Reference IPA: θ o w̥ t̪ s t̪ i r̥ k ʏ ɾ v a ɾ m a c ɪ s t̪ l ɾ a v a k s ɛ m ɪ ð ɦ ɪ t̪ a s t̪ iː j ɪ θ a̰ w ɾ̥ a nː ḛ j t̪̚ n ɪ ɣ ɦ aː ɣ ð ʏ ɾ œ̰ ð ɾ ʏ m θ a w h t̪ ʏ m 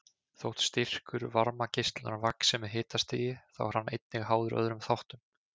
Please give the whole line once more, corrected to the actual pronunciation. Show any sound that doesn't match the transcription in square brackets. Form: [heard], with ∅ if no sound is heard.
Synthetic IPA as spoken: θ o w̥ t̪ s t̪ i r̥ k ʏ ɾ v a ɾ m a c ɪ s t̪ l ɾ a v a k s ɛ m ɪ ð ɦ [ɪː] t̪ a s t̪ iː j ɪ θ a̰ w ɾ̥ a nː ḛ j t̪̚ n ɪ ɣ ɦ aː [w] ð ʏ ɾ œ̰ ð ɾ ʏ m θ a w h t̪ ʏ m